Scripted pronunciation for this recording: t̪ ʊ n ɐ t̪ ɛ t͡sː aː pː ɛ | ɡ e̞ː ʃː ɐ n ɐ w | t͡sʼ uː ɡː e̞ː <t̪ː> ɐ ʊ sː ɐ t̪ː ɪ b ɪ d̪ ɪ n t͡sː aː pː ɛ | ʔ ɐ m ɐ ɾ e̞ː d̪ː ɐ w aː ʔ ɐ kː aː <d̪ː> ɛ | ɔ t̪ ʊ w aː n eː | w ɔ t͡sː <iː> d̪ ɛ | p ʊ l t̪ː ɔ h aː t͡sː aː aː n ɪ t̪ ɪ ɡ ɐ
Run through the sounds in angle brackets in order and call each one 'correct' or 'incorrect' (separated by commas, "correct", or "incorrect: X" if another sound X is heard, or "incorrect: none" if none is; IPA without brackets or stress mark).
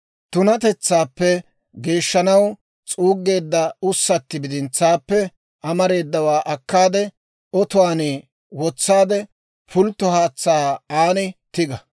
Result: incorrect: d̪ː, incorrect: d̪, incorrect: aː